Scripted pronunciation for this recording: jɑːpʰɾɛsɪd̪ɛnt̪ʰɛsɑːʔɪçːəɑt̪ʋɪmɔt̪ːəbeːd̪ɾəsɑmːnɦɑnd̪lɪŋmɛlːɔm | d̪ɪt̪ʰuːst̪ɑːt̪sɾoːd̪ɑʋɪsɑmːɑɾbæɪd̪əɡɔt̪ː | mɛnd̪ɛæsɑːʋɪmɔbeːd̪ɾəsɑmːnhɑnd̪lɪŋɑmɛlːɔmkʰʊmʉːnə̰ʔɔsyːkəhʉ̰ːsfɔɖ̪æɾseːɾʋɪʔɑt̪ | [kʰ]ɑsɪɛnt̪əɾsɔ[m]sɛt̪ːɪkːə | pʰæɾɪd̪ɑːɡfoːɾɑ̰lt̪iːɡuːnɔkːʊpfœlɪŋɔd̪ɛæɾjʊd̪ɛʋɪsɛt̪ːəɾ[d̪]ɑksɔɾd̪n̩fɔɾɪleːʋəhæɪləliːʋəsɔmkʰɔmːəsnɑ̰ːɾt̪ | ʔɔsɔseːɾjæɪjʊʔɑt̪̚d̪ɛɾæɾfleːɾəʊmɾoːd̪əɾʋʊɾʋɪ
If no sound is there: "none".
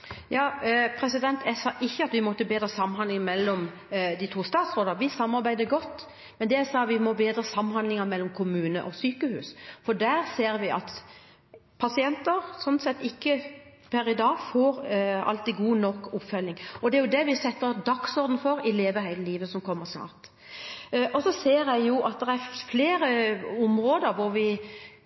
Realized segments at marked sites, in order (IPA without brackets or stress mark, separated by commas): pʰ, n, d̪